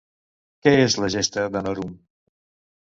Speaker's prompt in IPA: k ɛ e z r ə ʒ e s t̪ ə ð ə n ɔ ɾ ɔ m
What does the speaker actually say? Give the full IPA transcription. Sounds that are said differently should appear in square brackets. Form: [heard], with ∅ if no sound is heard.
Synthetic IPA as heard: k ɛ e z [l] ə ʒ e s t̪ ə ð ə n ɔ ɾ [u] m